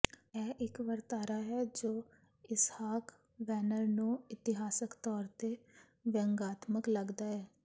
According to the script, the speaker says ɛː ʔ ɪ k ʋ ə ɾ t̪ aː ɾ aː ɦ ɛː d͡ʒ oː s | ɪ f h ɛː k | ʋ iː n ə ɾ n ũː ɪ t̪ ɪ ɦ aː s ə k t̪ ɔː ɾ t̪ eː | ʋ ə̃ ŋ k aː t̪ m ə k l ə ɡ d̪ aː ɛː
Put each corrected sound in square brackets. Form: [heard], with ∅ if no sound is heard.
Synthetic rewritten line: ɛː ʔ ɪ k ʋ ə ɾ t̪ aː ɾ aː ɦ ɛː d͡ʒ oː [∅] | ɪ [s] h [aː] k | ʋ [ɛː] n ə ɾ n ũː ɪ t̪ ɪ ɦ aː s ə k t̪ ɔː ɾ t̪ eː | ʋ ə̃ ŋ [ɡ] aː t̪ m ə k l ə ɡ d̪ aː ɛː

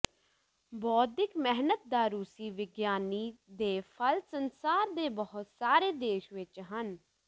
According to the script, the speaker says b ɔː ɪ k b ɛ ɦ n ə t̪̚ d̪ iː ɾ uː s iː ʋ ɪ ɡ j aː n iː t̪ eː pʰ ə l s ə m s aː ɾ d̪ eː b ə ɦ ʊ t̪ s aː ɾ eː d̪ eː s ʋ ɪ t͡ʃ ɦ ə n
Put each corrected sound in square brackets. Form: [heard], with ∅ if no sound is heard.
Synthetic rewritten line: b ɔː ɪ k [m] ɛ ɦ n ə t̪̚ d̪ [aː] ɾ uː s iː ʋ ɪ ɡ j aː n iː [d̪] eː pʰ ə l s ə [n] s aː ɾ d̪ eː b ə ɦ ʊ t̪ s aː ɾ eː d̪ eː [ʃ] ʋ ɪ t͡ʃ ɦ ə n

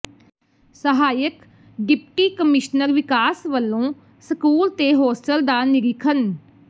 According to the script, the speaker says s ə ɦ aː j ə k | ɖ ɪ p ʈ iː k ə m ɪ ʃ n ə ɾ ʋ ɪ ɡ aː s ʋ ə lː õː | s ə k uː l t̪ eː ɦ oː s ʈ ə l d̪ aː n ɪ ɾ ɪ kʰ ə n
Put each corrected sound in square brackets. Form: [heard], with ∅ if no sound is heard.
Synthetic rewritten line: s ə ɦ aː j ə k | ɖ ɪ p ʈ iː k ə m ɪ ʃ n ə ɾ ʋ ɪ [k] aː s ʋ ə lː õː | s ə k uː l t̪ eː ɦ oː s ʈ ə l d̪ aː n ɪ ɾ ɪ kʰ ə n

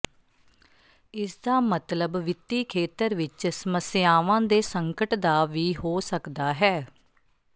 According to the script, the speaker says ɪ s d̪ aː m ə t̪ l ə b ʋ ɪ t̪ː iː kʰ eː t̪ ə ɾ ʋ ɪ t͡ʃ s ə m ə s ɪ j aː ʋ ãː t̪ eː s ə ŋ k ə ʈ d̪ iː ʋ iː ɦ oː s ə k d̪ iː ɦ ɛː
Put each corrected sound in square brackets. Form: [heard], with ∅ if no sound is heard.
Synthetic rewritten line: ɪ s d̪ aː m ə t̪ l ə b ʋ ɪ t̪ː iː kʰ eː t̪ ə ɾ ʋ ɪ t͡ʃ s ə m ə s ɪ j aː ʋ ãː [d̪] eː s ə ŋ k ə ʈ d̪ [aː] ʋ iː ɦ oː s ə k d̪ [aː] ɦ ɛː

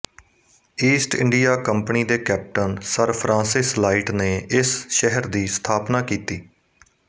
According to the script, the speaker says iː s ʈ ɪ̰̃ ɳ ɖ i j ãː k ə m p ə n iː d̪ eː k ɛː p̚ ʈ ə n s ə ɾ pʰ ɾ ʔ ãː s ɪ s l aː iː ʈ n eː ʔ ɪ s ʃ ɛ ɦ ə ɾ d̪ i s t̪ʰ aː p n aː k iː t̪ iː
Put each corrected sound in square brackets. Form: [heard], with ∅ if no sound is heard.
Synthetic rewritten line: iː s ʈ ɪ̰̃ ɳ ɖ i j [aː] k ə m p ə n iː d̪ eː k ɛː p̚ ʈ ə n s ə ɾ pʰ ɾ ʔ ãː s ɪ s l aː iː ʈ n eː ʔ ɪ s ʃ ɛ ɦ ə ɾ d̪ [iː] s t̪ʰ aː p n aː k iː t̪ iː

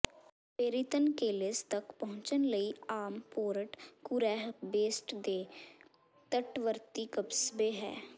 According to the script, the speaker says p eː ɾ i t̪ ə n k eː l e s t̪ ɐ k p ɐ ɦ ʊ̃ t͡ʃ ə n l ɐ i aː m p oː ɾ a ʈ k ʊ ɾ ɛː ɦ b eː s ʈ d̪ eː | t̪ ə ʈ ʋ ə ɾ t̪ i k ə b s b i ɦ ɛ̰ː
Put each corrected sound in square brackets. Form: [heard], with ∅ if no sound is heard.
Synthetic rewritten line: p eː ɾ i t̪ ə n k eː l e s t̪ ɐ k p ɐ ɦ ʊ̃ t͡ʃ ə n l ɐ i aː m p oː ɾ [ə] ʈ k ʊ ɾ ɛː ɦ b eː s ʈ d̪ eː | t̪ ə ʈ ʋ ə ɾ t̪ i k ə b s b [e] ɦ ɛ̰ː

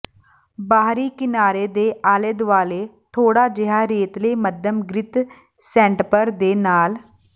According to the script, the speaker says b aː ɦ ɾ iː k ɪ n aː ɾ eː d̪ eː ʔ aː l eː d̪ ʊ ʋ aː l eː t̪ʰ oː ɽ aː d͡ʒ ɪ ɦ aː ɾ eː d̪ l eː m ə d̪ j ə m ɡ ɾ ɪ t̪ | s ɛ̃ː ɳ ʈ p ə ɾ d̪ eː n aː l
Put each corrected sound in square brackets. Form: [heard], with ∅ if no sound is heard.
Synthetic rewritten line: b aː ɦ ɾ iː k ɪ n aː ɾ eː d̪ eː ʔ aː l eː d̪ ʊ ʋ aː l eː t̪ʰ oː ɽ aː d͡ʒ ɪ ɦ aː ɾ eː [t̪] l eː m ə d̪ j ə m ɡ ɾ ɪ t̪ | s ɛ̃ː ɳ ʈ p ə ɾ d̪ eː n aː l

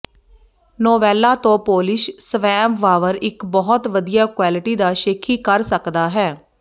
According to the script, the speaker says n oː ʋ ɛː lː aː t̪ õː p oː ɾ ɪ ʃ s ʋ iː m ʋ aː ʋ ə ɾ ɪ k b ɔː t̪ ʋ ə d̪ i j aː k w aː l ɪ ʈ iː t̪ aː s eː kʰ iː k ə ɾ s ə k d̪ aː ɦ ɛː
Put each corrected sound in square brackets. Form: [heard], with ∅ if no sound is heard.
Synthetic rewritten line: n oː ʋ ɛː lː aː t̪ õː p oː [l] ɪ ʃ s ʋ [ɛː] m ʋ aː ʋ ə ɾ ɪ k b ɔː t̪ ʋ ə d̪ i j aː k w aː l ɪ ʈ iː [d̪] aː [ʃ] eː kʰ iː k ə ɾ s ə k d̪ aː ɦ ɛː

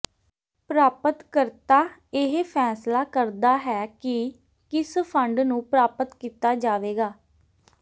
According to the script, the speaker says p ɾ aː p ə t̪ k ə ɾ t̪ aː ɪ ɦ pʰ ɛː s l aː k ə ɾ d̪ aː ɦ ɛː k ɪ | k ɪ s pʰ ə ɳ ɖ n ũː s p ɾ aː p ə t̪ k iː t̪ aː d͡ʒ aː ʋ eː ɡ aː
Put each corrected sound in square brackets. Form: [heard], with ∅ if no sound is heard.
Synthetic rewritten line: p ɾ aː p ə t̪ k ə ɾ t̪ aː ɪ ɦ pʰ ɛː s l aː k ə ɾ d̪ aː ɦ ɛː k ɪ | k ɪ s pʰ ə ɳ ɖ n ũː [∅] p ɾ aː p ə t̪ k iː t̪ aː d͡ʒ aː ʋ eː ɡ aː

